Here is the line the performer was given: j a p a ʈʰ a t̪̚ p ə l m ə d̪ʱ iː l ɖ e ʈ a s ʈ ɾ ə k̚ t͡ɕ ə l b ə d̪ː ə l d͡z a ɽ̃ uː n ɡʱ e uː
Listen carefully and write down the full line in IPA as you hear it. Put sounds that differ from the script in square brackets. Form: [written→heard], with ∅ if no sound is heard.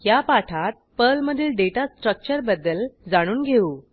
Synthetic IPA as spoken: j a p a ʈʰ a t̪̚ p ə l m ə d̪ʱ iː l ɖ e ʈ a s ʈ ɾ ə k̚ t͡ɕ ə [l→ɾ] b ə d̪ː ə l d͡z a ɽ̃ uː n ɡʱ e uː